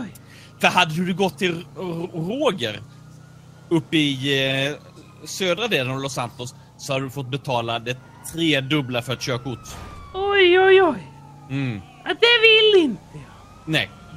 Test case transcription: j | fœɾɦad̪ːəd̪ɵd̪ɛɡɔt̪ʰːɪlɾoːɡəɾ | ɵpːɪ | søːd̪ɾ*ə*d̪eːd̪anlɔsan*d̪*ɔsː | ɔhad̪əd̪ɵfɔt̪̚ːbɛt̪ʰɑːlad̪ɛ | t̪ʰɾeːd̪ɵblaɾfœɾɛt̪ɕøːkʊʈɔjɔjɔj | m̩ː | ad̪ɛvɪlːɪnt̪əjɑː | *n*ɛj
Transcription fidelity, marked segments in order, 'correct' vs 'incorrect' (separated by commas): incorrect, incorrect, correct